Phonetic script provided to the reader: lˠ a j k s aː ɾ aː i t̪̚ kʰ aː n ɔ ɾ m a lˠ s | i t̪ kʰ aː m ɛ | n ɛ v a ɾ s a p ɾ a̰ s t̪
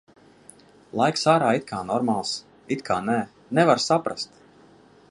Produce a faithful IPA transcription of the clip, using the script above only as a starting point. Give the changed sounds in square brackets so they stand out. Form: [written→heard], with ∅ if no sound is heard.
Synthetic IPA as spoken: lˠ a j k s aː ɾ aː i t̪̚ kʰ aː n ɔ ɾ m a lˠ s | i t̪ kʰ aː [m→n] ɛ | n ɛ v a ɾ s a p ɾ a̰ s t̪